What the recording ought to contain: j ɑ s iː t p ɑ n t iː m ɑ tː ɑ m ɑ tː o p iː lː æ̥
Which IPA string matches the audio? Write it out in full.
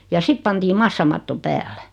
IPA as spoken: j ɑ s i t p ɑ n t iː m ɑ sː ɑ m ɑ tː o p æː lː æ̥